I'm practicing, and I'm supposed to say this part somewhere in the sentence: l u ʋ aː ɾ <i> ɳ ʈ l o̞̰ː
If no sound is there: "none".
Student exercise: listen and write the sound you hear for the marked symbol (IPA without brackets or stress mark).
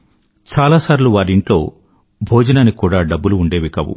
i